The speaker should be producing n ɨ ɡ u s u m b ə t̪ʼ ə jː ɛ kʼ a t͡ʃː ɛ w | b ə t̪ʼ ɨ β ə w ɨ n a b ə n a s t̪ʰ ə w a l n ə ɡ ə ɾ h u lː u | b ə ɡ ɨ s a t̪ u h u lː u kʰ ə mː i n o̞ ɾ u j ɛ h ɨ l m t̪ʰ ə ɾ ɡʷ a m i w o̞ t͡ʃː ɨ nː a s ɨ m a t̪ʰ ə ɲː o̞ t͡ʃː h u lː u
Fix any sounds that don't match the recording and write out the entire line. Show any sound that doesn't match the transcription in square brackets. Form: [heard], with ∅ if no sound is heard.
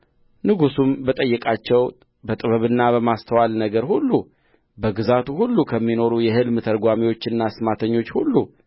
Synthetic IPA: n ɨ ɡ u s u m b ə t̪ʼ ə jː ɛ kʼ a t͡ʃː ɛ w | b ə t̪ʼ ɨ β ə [β] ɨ [nː] a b ə [m] a s t̪ʰ ə w a l n ə ɡ ə ɾ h u lː u | b ə ɡ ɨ [z] a t̪ u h u lː u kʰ ə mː i n o̞ ɾ u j ɛ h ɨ l m t̪ʰ ə ɾ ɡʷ a m i w o̞ t͡ʃː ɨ nː a s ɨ m a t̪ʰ ə ɲː o̞ t͡ʃː h u lː u

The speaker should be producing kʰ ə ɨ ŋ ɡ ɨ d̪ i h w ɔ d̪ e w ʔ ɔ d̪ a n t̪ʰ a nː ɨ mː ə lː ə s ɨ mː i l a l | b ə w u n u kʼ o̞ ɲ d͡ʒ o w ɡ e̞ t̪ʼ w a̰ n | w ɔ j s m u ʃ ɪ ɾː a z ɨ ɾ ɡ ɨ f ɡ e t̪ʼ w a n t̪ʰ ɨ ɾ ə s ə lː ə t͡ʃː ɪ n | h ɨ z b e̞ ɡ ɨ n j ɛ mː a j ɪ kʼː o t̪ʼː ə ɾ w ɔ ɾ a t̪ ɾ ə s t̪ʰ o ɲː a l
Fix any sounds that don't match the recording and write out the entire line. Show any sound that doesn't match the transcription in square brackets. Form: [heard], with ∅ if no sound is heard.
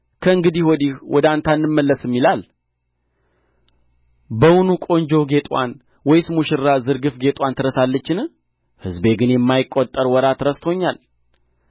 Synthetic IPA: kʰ ə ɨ ŋ ɡ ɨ d̪ i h w ɔ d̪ [i] w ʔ ɔ d̪ a n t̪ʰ a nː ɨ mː ə lː ə s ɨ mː i l a l | b ə w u n u kʼ o̞ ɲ d͡ʒ o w ɡ e̞ t̪ʼ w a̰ n | w ɔ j s m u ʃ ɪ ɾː a z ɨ ɾ ɡ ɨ f ɡ e t̪ʼ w a n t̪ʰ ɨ ɾ ə s [a] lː ə t͡ʃː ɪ n | h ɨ z b e̞ ɡ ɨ n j ɛ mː a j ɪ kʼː o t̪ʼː ə ɾ w ɔ ɾ a t̪ ɾ ə s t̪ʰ o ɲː a l

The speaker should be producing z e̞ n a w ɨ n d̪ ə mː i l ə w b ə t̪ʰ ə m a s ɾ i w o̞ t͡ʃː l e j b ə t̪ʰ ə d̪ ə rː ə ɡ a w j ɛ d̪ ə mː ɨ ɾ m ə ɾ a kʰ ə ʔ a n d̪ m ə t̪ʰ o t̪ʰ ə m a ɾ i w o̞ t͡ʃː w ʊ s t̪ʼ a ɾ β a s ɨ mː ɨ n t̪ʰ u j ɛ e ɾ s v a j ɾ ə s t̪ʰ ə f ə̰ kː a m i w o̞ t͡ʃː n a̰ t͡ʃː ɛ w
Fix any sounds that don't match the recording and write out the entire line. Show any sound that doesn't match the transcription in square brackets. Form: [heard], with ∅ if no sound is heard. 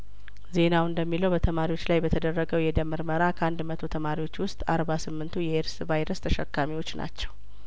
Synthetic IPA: z e̞ n a w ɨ n d̪ ə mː i l ə w b ə t̪ʰ ə m a [∅] ɾ i w o̞ t͡ʃː l [a] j b ə t̪ʰ ə d̪ ə rː ə ɡ [ə] w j ɛ d̪ ə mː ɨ ɾ m ə ɾ a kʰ ə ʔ a n d̪ m ə t̪ʰ o t̪ʰ ə m a ɾ i w o̞ t͡ʃː w ʊ s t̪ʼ a ɾ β a s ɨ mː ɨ n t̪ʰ u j ɛ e ɾ s v a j ɾ ə s t̪ʰ ə [ʃ] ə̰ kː a m i w o̞ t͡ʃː n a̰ t͡ʃː ɛ w

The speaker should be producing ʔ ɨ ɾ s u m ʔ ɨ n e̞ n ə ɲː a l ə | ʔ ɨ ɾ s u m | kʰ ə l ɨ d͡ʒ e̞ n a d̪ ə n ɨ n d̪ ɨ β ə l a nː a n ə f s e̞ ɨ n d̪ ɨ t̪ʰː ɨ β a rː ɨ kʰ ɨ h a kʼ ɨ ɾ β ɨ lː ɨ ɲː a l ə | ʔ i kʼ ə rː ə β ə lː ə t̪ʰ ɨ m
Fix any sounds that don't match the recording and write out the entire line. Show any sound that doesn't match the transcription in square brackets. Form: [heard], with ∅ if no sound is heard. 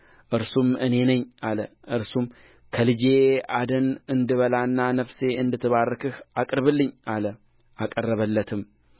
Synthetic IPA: ʔ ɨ ɾ s u m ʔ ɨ n e̞ n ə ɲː a l ə | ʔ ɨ ɾ s u m | kʰ ə l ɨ d͡ʒ e̞ [∅] a d̪ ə n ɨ n d̪ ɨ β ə l a nː a n ə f s e̞ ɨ n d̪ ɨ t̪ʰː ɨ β a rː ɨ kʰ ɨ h a kʼ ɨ ɾ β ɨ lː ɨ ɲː a l ə | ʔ [a] kʼ ə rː ə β ə lː ə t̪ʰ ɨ m

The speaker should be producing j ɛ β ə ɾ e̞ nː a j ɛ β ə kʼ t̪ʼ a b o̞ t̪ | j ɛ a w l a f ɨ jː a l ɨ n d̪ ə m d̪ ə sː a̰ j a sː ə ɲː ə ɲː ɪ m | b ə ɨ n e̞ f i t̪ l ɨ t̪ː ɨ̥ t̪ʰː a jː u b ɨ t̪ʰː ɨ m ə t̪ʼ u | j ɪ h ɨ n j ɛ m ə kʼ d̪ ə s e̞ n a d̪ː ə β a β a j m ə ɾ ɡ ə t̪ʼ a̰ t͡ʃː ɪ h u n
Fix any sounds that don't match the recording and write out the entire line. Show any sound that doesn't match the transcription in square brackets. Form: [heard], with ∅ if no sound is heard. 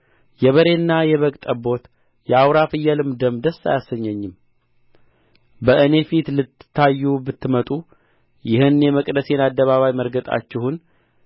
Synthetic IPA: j ɛ β ə ɾ e̞ nː a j ɛ β ə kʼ t̪ʼ [ə] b o̞ t̪ | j ɛ a w [ɾ] a f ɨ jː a l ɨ [m] d̪ ə m d̪ ə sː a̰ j a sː ə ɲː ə ɲː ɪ m | b ə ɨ n e̞ f i t̪ l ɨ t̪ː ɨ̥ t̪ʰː a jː u b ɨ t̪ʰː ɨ m ə t̪ʼ u | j ɪ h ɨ n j ɛ m ə kʼ d̪ ə s e̞ n a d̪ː ə β a β a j m ə ɾ ɡ ə t̪ʼ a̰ t͡ʃː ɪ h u n

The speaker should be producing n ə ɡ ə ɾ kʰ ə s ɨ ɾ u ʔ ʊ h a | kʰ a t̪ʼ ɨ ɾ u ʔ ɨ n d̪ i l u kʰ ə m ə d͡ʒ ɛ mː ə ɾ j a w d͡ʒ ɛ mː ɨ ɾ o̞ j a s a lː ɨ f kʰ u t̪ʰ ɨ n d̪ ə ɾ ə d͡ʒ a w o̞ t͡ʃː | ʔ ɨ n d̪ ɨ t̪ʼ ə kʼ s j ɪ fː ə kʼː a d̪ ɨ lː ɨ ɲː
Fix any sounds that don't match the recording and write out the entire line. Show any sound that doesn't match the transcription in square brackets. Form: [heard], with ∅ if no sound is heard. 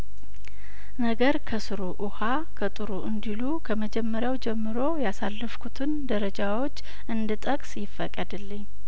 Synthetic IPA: n ə ɡ ə ɾ kʰ ə s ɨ ɾ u ʔ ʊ h a | kʰ [ə] t̪ʼ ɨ ɾ u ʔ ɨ n d̪ i l u kʰ ə m ə d͡ʒ ɛ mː ə ɾ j a w d͡ʒ ɛ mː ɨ ɾ o̞ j a s a lː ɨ f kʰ u t̪ʰ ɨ n d̪ ə ɾ ə d͡ʒ a w o̞ t͡ʃː | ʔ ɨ n d̪ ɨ t̪ʼ ə kʼ s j ɪ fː ə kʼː [ə] d̪ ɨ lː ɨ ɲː

